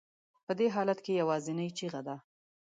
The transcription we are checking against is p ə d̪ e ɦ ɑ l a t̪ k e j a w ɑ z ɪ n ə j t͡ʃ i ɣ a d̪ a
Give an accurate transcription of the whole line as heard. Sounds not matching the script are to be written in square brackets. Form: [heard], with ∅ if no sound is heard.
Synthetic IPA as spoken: p ə d̪ e ɦ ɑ l a t̪ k e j a w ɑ z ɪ n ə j t͡ʃ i ɣ a d̪ a

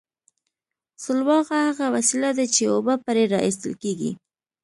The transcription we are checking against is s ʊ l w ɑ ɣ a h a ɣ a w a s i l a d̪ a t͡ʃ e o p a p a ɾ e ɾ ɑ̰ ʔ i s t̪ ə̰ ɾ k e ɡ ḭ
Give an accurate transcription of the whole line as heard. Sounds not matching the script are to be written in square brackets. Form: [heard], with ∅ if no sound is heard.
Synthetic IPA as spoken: s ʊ l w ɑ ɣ a h a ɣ a w a s i l a d̪ a t͡ʃ e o [b] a p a ɾ e ɾ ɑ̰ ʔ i s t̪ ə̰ [l] k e ɡ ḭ

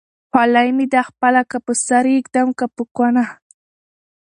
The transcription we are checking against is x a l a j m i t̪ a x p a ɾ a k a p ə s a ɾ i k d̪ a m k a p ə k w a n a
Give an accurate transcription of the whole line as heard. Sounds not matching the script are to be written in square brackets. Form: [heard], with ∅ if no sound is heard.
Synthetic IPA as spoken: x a l a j m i [d̪] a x p a [l] a k a p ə s a ɾ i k d̪ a m k a p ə k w a n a

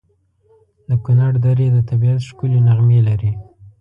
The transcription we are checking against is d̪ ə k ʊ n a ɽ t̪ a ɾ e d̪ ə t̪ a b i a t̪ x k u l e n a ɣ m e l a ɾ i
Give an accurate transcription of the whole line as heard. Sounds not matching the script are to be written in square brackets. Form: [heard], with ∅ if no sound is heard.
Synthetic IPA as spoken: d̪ ə k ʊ n a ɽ [d̪] a ɾ e d̪ ə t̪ a b i a t̪ [ʃ] k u l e n a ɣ m e l a ɾ i

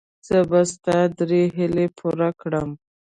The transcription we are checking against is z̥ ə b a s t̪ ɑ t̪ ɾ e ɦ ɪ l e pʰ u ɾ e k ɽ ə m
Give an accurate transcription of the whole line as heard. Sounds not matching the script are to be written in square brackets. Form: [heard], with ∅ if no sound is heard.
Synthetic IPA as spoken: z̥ ə b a s t̪ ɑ [d̪] ɾ e ɦ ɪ l e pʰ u ɾ [a] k ɽ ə m

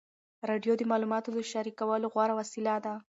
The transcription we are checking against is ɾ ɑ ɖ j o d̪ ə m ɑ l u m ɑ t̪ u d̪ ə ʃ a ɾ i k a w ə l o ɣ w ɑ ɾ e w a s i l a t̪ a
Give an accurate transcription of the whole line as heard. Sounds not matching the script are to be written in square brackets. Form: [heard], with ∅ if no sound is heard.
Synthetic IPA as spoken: ɾ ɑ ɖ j o d̪ ə m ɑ l u m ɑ t̪ [o] d̪ ə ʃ a ɾ i k a w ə l o ɣ w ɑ ɾ [a] w a s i l a [d̪] a

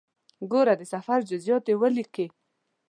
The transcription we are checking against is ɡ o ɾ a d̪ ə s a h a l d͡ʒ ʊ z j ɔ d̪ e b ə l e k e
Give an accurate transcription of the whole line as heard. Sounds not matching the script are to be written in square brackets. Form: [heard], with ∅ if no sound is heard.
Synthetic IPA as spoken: ɡ o ɾ a d̪ ə s a [f] a [ɾ] d͡ʒ ʊ z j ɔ [t̪] e [w] ə l [i] k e

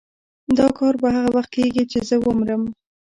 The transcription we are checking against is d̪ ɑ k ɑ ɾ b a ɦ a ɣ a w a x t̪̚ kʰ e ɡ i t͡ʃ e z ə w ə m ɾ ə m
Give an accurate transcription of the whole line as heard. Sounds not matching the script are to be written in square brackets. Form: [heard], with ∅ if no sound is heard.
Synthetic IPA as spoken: d̪ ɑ k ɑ ɾ b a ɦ a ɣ a w a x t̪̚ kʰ e ɡ i t͡ʃ e z ə w ə m ɾ ə m

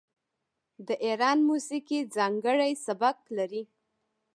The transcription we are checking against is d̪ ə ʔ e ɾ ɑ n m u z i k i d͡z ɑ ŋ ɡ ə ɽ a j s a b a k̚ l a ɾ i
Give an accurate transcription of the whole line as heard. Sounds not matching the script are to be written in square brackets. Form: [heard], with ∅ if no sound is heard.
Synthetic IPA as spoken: d̪ ə ʔ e ɾ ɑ n m u [s] i k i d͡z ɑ ŋ ɡ ə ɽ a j s a b a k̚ l a ɾ i

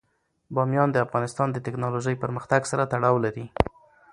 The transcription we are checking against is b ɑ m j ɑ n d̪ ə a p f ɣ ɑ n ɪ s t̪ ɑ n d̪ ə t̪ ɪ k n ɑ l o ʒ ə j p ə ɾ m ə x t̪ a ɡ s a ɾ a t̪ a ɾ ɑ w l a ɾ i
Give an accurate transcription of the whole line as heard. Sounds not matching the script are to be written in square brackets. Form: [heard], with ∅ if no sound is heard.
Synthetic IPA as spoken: b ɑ m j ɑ n d̪ ə a [∅] f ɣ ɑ n ɪ s t̪ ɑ n d̪ ə t̪ ɪ k n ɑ l o ʒ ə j p ə ɾ m ə x t̪ a ɡ s a ɾ a t̪ a [ɽ] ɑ w l a ɾ i

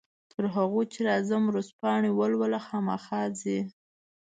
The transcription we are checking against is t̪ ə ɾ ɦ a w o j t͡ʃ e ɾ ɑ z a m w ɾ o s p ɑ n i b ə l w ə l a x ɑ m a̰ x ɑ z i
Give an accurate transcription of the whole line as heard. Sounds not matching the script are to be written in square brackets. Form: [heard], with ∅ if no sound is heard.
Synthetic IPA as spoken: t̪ ə ɾ ɦ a [ɣ] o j t͡ʃ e ɾ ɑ z a m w ɾ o s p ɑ [ɳ] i [w] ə l w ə l a x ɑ m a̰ x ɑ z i

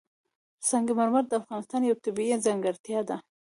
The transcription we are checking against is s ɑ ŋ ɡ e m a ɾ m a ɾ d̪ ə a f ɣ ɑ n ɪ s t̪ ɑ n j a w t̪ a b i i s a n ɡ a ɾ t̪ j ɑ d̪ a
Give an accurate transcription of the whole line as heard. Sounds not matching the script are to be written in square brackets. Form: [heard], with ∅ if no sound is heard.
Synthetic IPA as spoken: s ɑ ŋ ɡ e m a ɾ m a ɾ d̪ ə a f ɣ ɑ n ɪ s t̪ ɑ n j a w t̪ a b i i [z] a [ŋ] ɡ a ɾ t̪ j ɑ d̪ a

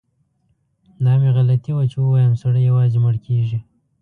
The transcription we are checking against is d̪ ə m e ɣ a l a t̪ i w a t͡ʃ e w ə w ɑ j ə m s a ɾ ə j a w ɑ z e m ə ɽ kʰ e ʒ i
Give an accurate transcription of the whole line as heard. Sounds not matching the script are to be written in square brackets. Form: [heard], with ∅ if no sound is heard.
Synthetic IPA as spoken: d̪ [ɑ] m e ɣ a l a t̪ i w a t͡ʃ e w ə w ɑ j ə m s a [ɽ] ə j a w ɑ z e m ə ɽ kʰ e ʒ i

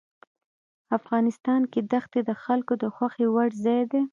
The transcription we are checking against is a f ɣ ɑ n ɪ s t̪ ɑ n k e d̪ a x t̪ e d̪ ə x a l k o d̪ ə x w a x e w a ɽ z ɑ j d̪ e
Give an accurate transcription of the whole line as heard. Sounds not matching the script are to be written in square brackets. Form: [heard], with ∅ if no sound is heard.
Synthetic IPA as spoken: a f ɣ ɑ n ɪ s t̪ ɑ n k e d̪ a x t̪ e d̪ ə x a l k o d̪ ə x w a x e w a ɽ z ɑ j d̪ e

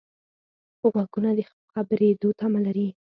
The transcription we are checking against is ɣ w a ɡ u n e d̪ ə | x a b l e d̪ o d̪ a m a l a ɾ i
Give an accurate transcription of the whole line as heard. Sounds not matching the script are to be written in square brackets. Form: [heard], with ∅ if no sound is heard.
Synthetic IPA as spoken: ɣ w a ɡ u n [a] d̪ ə | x a b [ɾ] e d̪ o [t̪] a m a l a ɾ i

